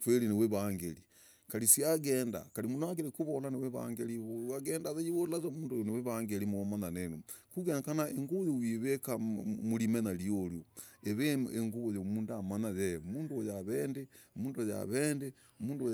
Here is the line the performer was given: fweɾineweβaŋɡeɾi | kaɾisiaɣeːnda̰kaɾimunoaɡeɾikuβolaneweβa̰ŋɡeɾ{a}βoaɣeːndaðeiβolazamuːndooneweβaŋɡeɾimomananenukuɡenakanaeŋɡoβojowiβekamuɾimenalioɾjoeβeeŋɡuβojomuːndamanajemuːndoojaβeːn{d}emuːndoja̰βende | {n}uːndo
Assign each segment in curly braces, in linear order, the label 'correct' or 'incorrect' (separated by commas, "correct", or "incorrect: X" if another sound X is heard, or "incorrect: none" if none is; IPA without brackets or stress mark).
incorrect: i, correct, incorrect: m